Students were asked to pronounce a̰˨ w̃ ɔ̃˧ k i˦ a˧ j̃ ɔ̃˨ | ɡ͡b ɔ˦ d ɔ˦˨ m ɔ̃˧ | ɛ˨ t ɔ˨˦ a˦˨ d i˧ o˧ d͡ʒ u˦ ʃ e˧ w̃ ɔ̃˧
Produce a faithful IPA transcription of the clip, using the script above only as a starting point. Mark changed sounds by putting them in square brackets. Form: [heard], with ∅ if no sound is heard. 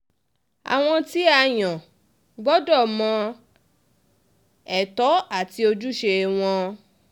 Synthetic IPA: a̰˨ w̃ ɔ̃˧ [t] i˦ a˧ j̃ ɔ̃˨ | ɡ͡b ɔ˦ d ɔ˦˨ m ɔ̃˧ | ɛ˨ t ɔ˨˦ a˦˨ [t] i˧ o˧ d͡ʒ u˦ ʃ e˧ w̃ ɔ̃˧